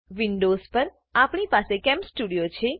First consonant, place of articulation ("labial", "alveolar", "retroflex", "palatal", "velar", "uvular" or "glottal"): labial